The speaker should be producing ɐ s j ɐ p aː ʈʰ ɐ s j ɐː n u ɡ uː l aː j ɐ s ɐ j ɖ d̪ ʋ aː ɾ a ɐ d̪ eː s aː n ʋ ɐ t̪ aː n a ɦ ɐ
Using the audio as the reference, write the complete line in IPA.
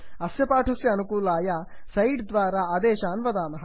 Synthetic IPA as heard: ɐ s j ɐ p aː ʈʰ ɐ s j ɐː n u k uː l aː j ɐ s ɐ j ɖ d̪ ʋ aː ɾ a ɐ d̪ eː ʃ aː n ʋ ɐ d̪ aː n ɐ ɦ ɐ